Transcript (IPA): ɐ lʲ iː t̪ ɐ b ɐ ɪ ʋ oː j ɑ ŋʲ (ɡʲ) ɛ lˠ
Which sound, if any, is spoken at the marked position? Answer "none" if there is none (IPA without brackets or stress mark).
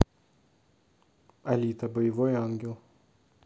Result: ɡʲ